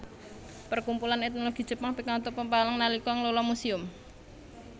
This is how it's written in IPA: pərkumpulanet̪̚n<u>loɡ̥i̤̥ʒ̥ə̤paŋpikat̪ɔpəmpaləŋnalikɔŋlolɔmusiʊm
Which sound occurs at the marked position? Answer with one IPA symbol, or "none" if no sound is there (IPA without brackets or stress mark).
o